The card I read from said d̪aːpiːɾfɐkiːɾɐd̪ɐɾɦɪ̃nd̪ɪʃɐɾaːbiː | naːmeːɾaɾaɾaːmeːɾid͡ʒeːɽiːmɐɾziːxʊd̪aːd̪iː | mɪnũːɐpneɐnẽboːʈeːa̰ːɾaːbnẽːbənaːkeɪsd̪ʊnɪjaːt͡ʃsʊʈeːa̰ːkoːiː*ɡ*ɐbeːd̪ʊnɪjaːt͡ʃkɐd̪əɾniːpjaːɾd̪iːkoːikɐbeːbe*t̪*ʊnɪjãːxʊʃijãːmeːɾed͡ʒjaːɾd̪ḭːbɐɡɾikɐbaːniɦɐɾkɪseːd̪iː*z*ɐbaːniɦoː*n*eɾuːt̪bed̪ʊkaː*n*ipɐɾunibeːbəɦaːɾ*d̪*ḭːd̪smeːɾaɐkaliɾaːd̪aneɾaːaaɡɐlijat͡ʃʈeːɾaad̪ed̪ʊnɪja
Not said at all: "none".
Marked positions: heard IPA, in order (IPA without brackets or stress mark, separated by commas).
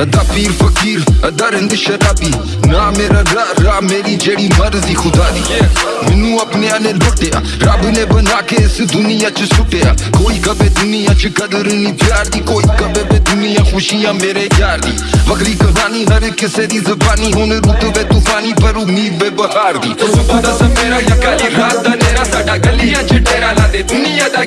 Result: k, d̪, z, n, n, d̪